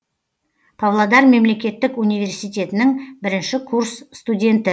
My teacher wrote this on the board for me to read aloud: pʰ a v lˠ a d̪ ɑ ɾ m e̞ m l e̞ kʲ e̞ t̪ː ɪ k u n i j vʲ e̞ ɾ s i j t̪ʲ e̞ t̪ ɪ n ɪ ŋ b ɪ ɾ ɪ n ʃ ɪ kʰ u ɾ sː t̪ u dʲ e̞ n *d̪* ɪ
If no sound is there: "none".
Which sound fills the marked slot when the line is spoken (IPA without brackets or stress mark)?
t̪